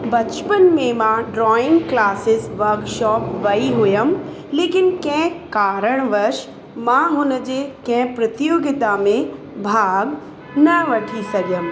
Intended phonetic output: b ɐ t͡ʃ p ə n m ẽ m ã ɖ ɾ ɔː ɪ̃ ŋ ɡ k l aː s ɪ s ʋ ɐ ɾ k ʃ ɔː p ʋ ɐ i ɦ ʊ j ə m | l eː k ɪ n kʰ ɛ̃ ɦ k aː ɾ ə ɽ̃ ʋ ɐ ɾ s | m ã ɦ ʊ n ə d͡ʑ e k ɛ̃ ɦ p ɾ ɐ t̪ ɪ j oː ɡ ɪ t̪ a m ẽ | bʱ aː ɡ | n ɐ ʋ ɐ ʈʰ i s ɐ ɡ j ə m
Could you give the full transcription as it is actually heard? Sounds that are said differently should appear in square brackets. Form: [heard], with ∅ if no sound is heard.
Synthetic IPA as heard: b ɐ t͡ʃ p ə n m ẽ m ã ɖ ɾ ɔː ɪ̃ ŋ ɡ k l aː s ɪ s ʋ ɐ ɾ k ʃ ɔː p ʋ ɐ i ɦ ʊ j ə m | l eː k ɪ n [k] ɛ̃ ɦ k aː ɾ ə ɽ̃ ʋ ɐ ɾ [ʃ] | m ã ɦ ʊ n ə d͡ʑ e k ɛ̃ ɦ p ɾ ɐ t̪ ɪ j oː ɡ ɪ t̪ a m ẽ | bʱ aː ɡ | n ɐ ʋ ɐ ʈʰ i s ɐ ɡ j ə m